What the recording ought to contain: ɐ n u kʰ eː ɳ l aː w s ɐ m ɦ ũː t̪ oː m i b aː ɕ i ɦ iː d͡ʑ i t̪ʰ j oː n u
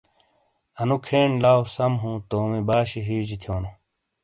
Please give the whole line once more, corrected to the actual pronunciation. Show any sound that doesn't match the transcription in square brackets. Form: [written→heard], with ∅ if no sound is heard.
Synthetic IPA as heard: ɐ n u kʰ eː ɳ l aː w s ɐ m ɦ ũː t̪ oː m i b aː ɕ i ɦ iː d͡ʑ i t̪ʰ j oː n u